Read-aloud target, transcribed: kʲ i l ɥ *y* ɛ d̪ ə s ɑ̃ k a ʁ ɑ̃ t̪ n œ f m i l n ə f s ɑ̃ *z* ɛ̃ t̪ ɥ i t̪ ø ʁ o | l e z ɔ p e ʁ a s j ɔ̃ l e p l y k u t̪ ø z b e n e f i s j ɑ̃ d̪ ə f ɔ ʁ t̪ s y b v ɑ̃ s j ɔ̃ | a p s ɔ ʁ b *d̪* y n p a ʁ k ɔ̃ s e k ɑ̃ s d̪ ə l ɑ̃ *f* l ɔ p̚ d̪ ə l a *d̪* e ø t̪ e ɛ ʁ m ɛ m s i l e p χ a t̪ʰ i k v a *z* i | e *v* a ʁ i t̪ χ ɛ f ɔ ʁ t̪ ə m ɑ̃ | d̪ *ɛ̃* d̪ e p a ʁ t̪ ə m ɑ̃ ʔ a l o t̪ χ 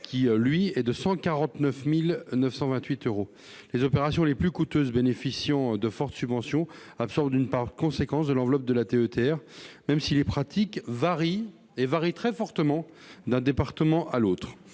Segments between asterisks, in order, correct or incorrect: incorrect: i, incorrect: v, correct, incorrect: v, incorrect: t̪, incorrect: ʁ, correct, correct

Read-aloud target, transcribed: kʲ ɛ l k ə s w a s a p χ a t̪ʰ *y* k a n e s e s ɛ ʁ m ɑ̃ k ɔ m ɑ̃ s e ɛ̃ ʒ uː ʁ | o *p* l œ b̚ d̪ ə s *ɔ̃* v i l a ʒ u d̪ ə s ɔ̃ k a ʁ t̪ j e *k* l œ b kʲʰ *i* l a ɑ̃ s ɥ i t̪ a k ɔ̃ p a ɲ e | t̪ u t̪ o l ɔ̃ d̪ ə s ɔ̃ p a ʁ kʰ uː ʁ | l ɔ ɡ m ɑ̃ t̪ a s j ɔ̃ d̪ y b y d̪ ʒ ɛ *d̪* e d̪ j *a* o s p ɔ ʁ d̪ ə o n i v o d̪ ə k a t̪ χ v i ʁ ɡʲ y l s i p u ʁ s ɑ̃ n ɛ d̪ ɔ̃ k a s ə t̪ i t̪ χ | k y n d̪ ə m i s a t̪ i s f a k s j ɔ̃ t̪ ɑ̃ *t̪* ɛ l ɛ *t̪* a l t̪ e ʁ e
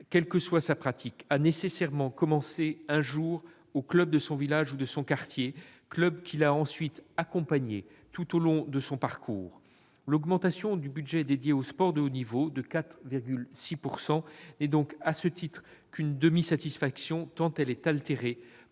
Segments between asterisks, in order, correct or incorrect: incorrect: i, incorrect: k, correct, correct, correct, correct, incorrect: e, correct, correct

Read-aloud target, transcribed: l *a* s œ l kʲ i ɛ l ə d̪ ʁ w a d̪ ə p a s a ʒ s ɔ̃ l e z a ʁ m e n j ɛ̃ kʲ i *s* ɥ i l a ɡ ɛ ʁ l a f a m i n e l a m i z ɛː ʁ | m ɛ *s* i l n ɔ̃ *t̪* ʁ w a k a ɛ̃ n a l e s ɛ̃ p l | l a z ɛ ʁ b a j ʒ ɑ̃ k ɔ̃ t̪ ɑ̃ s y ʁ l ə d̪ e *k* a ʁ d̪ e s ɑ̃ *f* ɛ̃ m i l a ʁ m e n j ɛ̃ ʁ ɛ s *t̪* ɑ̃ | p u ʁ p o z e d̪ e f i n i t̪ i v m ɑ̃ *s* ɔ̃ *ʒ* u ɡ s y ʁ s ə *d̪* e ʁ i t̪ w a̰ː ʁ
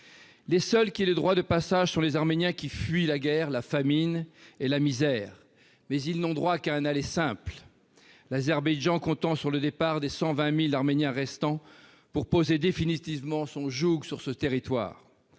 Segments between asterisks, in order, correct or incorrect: incorrect: e, incorrect: f, incorrect: z, incorrect: d̪, incorrect: p, incorrect: v, correct, correct, correct, incorrect: t̪

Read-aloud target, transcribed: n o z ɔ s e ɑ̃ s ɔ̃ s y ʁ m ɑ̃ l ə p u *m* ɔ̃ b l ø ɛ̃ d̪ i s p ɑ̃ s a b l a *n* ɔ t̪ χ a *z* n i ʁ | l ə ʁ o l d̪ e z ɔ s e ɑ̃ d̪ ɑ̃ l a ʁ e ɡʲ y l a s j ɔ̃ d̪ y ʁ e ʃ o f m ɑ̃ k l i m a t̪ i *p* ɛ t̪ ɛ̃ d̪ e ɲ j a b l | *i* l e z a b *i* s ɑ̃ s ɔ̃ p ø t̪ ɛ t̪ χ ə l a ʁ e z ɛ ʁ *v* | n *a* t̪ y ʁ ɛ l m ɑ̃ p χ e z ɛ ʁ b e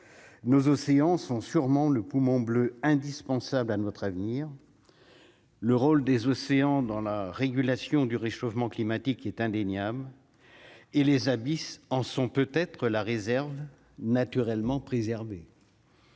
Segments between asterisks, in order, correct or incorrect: correct, correct, incorrect: v, incorrect: k, incorrect: e, correct, correct, correct

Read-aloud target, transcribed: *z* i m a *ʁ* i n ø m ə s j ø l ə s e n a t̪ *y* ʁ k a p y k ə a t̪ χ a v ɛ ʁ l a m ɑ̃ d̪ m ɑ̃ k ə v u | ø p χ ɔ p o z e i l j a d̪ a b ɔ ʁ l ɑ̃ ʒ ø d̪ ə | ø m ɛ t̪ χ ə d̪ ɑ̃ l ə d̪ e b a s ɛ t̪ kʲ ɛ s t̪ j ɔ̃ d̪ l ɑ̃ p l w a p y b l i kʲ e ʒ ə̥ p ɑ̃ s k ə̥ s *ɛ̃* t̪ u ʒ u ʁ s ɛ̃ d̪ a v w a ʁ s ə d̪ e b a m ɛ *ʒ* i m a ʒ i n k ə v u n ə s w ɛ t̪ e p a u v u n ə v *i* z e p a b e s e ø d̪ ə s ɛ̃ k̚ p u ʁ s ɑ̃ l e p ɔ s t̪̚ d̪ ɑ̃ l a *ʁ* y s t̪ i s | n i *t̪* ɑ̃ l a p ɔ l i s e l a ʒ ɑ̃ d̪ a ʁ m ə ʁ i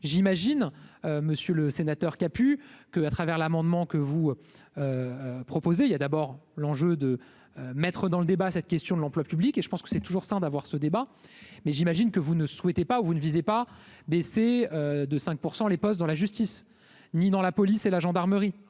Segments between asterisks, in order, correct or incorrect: incorrect: ʒ, incorrect: ʒ, incorrect: œ, incorrect: ɛ, correct, correct, incorrect: ʒ, incorrect: d̪

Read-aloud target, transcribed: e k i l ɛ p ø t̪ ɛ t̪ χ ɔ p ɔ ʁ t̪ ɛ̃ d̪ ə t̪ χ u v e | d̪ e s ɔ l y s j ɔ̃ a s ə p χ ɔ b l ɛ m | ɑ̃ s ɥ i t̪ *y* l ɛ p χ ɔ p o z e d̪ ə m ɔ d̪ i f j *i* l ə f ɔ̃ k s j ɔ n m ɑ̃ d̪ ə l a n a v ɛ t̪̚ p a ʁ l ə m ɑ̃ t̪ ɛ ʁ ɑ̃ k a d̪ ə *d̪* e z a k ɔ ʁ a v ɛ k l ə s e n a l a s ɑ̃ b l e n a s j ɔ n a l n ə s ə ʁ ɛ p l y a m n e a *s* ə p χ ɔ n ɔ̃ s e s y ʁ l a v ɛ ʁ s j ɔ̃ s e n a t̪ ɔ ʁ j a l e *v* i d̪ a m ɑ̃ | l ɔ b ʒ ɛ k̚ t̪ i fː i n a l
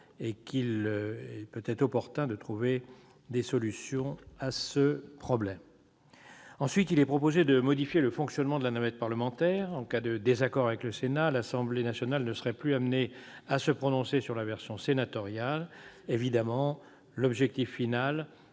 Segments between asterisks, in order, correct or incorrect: incorrect: i, incorrect: e, correct, correct, correct

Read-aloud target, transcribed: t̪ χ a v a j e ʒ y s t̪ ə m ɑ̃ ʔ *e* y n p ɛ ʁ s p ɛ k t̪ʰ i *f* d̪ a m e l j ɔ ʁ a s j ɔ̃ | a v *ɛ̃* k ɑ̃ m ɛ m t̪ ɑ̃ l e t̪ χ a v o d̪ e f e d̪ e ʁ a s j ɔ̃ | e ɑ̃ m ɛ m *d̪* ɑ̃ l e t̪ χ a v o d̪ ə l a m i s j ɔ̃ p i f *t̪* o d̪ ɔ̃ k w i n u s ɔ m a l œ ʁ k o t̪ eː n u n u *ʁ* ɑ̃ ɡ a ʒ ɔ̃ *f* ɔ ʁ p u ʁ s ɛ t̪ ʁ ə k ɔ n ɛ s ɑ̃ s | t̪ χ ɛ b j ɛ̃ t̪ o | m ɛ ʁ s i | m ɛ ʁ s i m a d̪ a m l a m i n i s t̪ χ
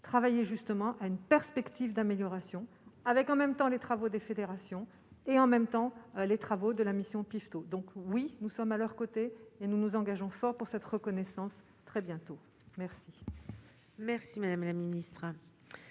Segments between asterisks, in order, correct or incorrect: incorrect: a, incorrect: v, incorrect: ɛ, incorrect: t̪, correct, incorrect: z, correct

